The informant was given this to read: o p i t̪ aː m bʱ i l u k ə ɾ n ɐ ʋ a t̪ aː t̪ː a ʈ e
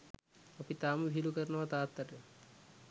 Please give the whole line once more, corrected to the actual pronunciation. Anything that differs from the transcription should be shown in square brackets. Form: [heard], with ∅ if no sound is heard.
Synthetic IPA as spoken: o p i t̪ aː m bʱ i l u k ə ɾ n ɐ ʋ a t̪ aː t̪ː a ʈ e